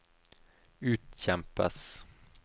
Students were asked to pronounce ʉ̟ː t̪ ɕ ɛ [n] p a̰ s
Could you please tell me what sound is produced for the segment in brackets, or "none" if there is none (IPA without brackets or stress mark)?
m